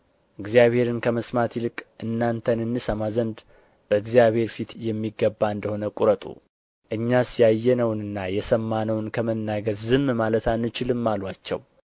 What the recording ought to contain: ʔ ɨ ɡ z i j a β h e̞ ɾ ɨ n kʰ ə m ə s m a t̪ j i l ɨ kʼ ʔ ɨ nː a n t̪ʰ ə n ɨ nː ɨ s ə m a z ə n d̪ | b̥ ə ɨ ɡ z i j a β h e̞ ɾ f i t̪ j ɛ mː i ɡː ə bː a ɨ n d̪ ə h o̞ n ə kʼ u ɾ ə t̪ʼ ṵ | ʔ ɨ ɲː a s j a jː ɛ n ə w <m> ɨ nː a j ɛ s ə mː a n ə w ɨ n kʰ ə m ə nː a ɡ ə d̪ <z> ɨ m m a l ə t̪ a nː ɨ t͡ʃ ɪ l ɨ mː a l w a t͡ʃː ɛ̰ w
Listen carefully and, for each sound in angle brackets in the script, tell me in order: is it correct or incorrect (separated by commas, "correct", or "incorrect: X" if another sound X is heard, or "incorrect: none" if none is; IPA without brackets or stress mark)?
incorrect: n, correct